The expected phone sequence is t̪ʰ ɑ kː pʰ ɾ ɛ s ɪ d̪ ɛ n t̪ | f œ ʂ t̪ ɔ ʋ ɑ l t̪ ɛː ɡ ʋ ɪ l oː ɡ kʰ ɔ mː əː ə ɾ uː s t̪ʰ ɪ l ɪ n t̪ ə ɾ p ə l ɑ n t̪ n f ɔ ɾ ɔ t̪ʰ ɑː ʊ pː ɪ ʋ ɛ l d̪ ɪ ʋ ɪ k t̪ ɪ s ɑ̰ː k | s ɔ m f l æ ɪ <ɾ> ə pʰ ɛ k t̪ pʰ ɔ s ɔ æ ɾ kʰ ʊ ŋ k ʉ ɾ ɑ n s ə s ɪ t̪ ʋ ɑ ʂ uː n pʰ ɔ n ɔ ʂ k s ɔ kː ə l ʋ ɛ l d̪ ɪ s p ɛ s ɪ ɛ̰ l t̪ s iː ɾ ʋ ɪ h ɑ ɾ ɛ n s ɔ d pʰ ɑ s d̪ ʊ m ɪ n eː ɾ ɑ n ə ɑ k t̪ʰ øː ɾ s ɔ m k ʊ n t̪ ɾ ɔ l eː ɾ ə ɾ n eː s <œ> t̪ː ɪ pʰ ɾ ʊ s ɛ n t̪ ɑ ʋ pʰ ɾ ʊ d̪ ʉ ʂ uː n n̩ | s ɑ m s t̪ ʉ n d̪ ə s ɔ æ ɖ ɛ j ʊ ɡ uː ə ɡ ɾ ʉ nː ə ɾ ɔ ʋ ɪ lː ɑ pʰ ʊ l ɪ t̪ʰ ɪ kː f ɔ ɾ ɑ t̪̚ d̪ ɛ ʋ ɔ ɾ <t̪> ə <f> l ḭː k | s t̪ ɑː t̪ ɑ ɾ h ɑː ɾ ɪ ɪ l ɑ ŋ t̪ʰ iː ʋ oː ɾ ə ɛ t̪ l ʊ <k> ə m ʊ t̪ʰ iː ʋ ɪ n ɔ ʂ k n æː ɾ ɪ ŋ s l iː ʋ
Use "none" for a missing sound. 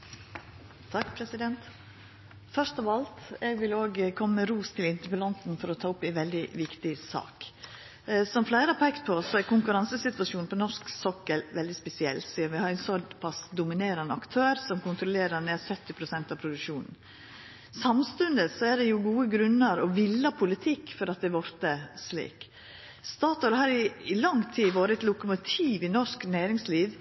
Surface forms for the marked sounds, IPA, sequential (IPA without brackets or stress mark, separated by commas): ɾ, œ, t̪, s, k